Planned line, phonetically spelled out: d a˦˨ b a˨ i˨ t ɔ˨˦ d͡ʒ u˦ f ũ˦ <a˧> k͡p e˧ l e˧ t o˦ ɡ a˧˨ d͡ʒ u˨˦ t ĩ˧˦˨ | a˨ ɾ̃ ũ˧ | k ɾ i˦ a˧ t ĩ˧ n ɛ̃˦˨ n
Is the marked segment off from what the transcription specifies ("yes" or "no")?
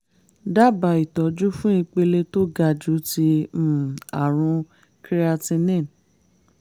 yes